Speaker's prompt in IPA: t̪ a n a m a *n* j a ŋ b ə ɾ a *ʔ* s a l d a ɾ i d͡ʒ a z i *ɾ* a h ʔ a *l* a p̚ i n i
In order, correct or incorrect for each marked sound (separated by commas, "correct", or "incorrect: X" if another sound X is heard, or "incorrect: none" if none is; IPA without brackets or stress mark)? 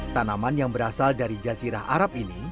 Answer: correct, incorrect: none, correct, incorrect: ɾ